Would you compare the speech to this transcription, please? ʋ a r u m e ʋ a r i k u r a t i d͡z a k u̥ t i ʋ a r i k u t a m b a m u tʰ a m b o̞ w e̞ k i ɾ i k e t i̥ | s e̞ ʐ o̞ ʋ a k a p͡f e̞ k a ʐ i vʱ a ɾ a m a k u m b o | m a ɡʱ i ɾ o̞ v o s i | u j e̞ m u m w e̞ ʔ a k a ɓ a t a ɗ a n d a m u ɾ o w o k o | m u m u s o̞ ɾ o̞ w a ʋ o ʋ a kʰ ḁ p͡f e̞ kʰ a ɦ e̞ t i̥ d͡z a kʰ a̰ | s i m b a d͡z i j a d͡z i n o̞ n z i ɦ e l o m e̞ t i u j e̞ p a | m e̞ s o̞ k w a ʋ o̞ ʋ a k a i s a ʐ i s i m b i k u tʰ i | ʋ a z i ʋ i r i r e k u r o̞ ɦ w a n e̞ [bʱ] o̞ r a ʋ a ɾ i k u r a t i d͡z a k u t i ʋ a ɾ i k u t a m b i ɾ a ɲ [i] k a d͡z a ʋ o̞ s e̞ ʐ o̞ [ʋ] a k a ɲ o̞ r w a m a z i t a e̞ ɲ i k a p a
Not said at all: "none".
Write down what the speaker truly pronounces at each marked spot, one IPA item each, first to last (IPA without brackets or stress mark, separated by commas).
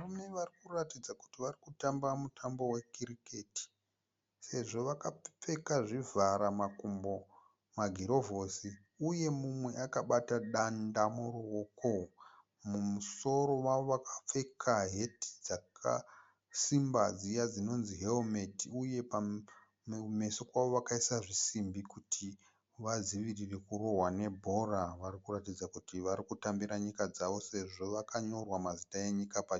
bʱ, i, ʋ